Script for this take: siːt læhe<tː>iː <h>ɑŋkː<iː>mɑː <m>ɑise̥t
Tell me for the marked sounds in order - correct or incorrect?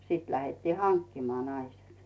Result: correct, correct, incorrect, incorrect

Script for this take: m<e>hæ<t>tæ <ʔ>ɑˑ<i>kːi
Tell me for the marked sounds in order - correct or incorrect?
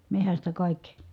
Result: correct, incorrect, incorrect, correct

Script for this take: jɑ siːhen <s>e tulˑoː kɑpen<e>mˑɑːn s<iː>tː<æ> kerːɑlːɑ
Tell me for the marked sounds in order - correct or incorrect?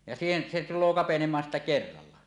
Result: correct, correct, incorrect, correct

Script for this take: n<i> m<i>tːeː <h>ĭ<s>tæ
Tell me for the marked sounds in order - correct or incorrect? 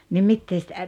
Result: correct, correct, incorrect, incorrect

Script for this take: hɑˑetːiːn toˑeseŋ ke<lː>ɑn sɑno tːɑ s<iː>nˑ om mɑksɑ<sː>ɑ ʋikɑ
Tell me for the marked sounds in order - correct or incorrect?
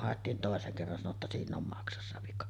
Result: incorrect, correct, correct

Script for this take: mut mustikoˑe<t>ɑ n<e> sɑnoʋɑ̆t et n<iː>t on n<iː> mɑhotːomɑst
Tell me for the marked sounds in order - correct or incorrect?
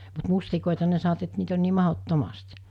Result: correct, correct, correct, correct

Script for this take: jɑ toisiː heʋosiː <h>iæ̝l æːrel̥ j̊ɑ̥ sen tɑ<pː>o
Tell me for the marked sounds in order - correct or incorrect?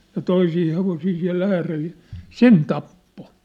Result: incorrect, correct

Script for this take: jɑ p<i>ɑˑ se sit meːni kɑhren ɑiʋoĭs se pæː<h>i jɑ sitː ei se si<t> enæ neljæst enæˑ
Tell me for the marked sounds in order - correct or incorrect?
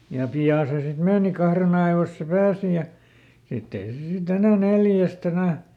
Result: correct, incorrect, correct

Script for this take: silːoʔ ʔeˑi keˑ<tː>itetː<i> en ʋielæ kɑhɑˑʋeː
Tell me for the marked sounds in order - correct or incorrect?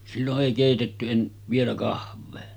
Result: incorrect, incorrect

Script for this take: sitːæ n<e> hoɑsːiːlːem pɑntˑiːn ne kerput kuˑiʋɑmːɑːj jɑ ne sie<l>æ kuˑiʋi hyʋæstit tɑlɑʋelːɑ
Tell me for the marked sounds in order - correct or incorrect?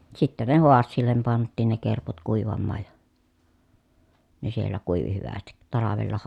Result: correct, incorrect

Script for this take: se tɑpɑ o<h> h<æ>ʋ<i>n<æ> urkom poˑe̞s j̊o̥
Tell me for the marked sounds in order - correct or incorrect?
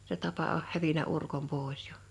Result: correct, correct, correct, correct

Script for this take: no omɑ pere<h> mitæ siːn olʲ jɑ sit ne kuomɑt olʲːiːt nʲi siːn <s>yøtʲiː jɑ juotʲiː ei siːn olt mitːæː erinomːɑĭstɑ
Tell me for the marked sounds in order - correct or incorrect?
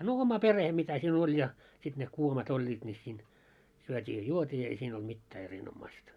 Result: correct, correct

